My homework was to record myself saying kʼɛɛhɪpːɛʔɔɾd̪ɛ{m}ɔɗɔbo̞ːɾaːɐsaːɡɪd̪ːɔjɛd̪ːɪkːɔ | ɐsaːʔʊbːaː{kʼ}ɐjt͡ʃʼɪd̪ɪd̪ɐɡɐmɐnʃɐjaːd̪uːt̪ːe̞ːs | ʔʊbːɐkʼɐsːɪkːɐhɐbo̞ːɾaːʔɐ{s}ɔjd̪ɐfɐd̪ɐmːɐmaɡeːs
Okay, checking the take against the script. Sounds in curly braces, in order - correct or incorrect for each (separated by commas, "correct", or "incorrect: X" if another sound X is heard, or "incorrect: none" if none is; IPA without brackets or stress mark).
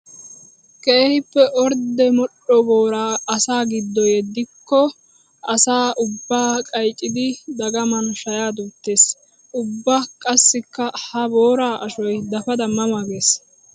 correct, correct, incorrect: ʃ